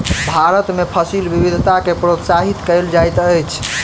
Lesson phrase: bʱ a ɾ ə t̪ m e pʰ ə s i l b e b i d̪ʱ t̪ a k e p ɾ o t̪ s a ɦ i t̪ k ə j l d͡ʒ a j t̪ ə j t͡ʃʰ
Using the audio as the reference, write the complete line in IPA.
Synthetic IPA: bʱ a ɾ ə t̪ m e pʰ ə s i l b i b i d̪ʱ t̪ a k e p ɾ o t̪ s a ɦ i t̪ k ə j l d͡ʒ a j t̪ ə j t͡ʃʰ